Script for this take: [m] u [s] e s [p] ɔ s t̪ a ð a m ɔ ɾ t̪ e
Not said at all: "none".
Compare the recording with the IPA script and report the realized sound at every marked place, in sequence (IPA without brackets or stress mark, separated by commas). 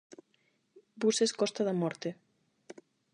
b, s, k